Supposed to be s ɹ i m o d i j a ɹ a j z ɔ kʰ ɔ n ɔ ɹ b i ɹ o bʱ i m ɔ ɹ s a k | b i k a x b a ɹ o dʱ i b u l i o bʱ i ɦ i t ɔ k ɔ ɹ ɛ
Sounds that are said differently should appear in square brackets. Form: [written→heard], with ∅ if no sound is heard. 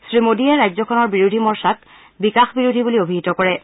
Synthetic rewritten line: s ɹ i m o d i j a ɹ a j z ɔ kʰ ɔ n ɔ ɹ b i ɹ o [bʱ→dʱ] i m ɔ ɹ s a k | b i k a x b [a→i] ɹ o dʱ i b u l i o bʱ i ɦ i t ɔ k ɔ ɹ ɛ